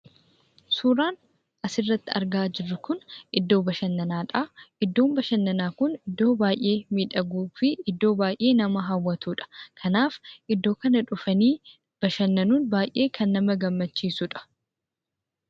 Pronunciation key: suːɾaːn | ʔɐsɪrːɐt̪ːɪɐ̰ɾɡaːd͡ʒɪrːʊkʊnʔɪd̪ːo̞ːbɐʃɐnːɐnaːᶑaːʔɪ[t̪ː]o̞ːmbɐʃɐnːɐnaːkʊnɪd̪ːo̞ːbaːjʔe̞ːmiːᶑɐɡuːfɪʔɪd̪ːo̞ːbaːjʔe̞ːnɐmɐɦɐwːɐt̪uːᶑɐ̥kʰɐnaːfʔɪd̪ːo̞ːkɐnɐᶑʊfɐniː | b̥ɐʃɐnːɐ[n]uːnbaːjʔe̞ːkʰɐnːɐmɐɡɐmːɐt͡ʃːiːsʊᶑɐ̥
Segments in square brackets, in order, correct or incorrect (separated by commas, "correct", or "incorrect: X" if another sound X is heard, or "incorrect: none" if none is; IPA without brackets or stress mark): incorrect: d̪ː, correct